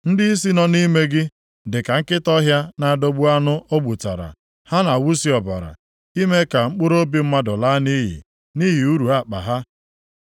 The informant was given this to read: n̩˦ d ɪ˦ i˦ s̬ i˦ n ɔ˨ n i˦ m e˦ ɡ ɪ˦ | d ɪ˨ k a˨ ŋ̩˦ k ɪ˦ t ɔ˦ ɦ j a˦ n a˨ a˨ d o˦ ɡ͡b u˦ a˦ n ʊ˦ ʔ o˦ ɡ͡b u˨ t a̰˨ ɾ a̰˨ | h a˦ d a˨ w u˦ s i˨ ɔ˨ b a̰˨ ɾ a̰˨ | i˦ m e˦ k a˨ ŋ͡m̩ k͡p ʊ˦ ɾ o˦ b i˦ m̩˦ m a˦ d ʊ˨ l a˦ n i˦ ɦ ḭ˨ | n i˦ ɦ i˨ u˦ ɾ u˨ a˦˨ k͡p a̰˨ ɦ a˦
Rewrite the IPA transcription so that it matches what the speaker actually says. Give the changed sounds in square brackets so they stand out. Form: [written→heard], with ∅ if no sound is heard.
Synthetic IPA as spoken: n̩˦ d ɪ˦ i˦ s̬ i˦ n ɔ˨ n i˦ m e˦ ɡ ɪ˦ | d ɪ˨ k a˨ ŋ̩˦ k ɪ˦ t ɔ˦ ɦ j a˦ n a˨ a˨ d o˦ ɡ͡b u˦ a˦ n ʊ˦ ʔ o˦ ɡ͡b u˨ t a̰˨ ɾ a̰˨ | h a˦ [d→n] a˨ w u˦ s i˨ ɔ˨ b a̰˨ ɾ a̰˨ | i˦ m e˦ k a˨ ŋ͡m̩ k͡p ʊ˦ ɾ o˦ b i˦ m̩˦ m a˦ d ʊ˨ l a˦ n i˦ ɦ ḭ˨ | n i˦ ɦ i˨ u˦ ɾ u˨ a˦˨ k͡p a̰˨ ɦ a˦